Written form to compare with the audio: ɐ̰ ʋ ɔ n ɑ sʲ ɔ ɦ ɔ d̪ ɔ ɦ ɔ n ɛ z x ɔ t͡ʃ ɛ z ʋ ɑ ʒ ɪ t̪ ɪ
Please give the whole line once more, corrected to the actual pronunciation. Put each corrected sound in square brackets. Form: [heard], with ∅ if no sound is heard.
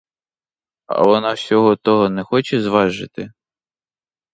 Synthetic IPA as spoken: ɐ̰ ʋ ɔ n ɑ sʲ ɔ ɦ ɔ [t̪] ɔ ɦ ɔ n ɛ [∅] x ɔ t͡ʃ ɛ z ʋ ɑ ʒ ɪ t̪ ɪ